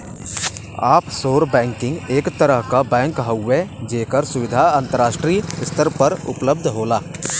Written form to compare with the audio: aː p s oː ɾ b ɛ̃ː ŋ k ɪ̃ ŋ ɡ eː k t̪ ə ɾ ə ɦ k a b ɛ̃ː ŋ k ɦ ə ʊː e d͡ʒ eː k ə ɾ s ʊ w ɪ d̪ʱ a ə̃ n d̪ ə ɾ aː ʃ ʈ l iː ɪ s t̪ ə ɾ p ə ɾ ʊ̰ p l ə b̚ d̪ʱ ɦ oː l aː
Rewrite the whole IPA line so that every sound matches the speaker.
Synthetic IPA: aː p s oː ɾ b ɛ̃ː ŋ k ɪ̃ ŋ ɡ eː k t̪ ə ɾ ə ɦ k a b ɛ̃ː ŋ k ɦ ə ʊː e d͡ʒ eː k ə ɾ s ʊ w ɪ d̪ʱ a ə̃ n t̪ ə ɾ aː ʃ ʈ ɾ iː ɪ s t̪ ə ɾ p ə ɾ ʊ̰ p l ə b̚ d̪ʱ ɦ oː l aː